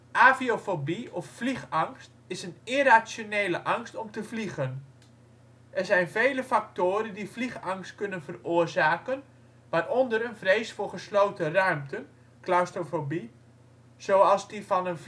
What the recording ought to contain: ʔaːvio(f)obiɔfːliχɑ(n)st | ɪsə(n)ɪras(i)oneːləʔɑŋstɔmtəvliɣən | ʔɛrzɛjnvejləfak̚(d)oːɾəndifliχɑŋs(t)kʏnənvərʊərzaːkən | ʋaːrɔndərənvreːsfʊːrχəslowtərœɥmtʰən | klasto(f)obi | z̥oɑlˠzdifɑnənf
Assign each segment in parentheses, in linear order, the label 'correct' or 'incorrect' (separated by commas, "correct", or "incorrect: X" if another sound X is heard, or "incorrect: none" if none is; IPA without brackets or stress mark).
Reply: correct, incorrect: ŋ, correct, incorrect: j, incorrect: t, correct, correct